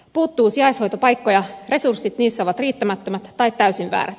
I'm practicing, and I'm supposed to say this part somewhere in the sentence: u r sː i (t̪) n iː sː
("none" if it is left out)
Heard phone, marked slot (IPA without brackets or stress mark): t̪